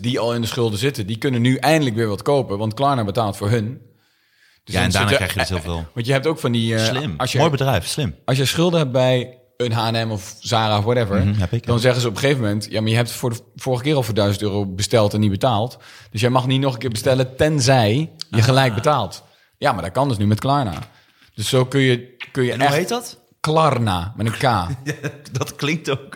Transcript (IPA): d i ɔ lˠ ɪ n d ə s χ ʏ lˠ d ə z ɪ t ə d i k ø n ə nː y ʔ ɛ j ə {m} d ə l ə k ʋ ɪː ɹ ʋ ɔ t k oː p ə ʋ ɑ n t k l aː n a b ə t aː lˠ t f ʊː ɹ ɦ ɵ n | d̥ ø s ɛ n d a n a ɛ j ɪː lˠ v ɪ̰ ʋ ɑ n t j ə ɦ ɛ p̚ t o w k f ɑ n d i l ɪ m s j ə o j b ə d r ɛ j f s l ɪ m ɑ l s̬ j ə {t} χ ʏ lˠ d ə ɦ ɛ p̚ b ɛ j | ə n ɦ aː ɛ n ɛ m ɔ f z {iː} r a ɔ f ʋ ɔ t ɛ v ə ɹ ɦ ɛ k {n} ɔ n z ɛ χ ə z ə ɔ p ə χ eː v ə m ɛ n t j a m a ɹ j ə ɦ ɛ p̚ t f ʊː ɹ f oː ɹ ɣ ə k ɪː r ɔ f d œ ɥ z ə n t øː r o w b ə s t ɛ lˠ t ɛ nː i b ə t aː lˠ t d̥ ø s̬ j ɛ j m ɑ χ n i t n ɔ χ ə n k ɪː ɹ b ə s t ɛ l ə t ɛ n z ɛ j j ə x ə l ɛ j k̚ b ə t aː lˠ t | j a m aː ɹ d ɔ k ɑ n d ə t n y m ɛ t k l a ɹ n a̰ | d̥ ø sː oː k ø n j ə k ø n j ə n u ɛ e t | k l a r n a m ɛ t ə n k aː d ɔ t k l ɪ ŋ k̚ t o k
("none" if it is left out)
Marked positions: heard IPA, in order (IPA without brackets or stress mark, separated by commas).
n, s, aː, d